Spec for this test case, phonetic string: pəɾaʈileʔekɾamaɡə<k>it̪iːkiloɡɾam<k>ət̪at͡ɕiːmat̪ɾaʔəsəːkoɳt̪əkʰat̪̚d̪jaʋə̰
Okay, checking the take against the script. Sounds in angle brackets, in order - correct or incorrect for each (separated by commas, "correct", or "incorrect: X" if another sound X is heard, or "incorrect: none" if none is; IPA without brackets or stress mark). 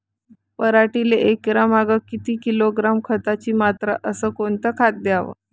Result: correct, incorrect: kʰ